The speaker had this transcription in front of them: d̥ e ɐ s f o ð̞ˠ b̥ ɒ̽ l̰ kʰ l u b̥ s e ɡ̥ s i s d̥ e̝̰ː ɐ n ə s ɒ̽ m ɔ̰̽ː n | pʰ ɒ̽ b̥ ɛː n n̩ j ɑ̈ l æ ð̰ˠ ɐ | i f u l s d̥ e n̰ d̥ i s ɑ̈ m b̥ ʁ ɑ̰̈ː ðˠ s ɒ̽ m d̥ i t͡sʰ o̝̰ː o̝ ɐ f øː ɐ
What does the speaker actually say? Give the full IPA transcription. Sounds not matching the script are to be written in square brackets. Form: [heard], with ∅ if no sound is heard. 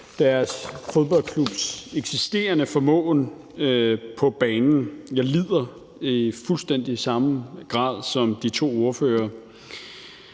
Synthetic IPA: d̥ [æ] ɐ s f o ð̞ˠ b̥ ɒ̽ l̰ kʰ l u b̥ s e ɡ̥ s i s d̥ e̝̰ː ɐ n ə [f] ɒ̽ m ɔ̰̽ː n | pʰ ɒ̽ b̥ ɛː n n̩ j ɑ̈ l [i] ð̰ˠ ɐ | i f u l s d̥ e n̰ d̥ i s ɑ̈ m [ɡ̥] ʁ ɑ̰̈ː ðˠ s ɒ̽ m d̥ i t͡sʰ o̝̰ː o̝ ɐ f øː ɐ